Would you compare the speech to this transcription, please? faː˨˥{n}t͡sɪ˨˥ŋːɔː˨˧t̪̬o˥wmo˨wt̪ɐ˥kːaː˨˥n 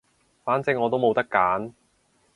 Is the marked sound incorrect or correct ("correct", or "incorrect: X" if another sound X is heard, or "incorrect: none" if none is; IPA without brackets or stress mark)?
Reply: correct